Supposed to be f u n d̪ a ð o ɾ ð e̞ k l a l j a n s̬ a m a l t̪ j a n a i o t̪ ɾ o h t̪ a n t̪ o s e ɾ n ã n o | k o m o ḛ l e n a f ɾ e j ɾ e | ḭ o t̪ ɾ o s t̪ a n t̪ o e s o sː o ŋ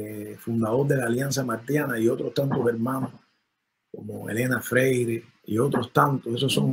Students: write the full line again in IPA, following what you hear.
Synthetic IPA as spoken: f u n d̪ a ð o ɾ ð e̞ l a l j a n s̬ a m a ɾ t̪ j a n a i o t̪ ɾ o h t̪ a n t̪ o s e ɾ m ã n o | k o m o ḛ l e n a f ɾ e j ɾ e | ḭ o t̪ ɾ o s t̪ a n t̪ o e s o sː o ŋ